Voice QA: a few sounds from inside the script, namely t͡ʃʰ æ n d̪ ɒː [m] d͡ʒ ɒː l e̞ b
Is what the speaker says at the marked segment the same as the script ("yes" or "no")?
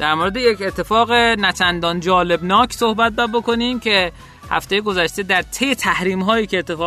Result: no